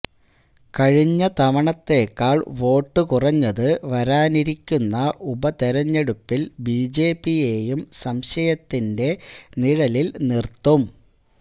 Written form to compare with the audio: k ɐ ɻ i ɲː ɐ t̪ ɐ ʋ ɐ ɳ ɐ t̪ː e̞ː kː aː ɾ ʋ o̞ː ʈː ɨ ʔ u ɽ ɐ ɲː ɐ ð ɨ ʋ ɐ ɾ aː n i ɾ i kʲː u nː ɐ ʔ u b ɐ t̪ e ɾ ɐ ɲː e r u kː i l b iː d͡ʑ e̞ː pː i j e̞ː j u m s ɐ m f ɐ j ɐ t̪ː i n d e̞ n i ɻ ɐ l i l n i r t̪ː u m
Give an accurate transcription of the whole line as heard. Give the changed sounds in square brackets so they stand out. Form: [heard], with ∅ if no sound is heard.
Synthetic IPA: k ɐ ɻ i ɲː ɐ t̪ ɐ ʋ ɐ ɳ ɐ t̪ː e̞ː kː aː [ɭ] ʋ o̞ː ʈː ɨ [k] u [r] ɐ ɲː ɐ ð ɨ ʋ ɐ ɾ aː n i ɾ i kʲː u nː ɐ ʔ u b ɐ t̪ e ɾ ɐ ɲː e [ɽ] u [pː] i l b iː d͡ʑ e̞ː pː i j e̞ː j u m s ɐ m [ɕ] ɐ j ɐ t̪ː i n d e̞ n i ɻ ɐ l i l n i r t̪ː u m